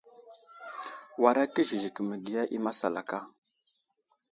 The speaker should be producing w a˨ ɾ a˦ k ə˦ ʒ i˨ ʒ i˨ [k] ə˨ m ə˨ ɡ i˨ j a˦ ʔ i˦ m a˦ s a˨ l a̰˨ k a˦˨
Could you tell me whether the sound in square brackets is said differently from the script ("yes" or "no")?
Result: no